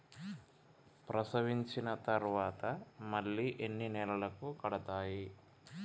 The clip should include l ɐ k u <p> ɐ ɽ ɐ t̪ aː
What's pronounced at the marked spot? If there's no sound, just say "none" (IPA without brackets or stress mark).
k